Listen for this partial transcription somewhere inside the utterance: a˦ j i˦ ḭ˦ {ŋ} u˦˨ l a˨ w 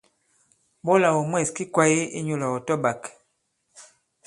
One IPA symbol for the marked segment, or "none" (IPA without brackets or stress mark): ɲ